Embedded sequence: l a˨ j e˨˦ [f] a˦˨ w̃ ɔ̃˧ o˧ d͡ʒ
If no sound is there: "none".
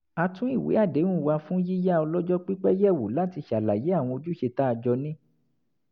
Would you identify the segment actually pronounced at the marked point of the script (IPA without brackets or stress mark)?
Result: none